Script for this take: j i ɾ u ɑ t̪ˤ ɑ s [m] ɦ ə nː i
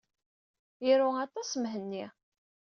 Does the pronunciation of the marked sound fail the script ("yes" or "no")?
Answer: no